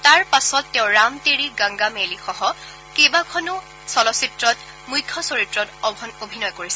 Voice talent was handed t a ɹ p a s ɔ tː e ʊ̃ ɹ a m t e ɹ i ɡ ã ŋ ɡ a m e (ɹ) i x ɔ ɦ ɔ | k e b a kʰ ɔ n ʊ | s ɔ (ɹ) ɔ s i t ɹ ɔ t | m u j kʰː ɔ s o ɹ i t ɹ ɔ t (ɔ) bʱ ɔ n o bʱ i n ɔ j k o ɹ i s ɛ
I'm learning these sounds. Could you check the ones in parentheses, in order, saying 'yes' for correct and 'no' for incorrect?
no, no, yes

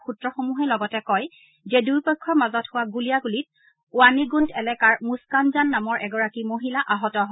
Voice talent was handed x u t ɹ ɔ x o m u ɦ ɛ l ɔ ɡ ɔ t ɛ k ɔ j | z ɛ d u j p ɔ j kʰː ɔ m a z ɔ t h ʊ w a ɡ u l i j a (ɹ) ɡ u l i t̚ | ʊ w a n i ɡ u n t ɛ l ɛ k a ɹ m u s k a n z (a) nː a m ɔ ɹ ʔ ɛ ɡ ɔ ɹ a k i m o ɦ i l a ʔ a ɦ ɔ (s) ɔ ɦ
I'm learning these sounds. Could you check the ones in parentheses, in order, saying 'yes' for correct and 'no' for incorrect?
no, yes, no

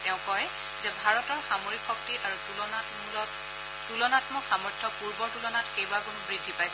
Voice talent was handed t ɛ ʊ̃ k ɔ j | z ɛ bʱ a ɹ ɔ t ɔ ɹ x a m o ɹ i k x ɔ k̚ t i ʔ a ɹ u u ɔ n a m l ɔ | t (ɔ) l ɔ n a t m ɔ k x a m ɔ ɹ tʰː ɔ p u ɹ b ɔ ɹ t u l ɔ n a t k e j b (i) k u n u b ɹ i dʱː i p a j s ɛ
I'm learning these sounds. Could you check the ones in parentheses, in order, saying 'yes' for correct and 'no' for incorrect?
no, no

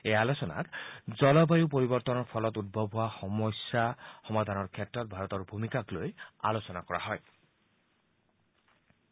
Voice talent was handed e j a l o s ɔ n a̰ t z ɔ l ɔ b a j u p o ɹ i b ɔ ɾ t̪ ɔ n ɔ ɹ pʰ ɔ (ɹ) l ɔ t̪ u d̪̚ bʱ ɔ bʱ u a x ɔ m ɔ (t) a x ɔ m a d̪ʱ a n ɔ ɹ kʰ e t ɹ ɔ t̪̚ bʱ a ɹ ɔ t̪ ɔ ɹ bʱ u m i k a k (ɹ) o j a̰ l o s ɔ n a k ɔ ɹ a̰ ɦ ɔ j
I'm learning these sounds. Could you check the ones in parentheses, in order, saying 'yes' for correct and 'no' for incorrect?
no, no, no

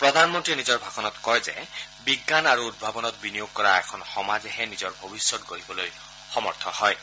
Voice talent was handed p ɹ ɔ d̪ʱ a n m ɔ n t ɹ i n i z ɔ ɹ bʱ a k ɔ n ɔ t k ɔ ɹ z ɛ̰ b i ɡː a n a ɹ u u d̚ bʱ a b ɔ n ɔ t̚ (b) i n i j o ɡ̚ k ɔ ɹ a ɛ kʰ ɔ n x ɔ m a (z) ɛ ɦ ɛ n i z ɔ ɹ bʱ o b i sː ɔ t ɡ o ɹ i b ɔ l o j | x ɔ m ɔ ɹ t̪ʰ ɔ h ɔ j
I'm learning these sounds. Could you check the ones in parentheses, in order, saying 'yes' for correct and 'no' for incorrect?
yes, yes

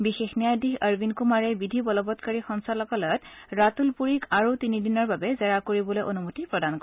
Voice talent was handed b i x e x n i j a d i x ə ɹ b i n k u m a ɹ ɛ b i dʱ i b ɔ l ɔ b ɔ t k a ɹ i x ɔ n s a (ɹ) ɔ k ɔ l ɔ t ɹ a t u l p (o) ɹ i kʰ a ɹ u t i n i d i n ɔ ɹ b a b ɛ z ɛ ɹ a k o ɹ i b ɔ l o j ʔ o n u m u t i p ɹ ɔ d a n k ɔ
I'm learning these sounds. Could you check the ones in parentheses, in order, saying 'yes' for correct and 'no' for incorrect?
no, no

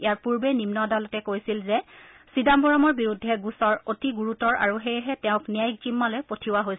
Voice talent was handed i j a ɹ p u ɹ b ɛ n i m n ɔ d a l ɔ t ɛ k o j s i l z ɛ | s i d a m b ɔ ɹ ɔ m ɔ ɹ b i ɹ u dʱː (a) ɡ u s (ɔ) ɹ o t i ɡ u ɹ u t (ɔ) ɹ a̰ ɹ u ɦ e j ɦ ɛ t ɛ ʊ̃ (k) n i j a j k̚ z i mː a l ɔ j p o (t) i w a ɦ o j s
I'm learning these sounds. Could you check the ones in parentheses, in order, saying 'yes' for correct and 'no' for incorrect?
no, yes, yes, yes, no

